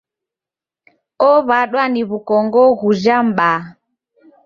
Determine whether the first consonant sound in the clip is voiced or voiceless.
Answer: voiced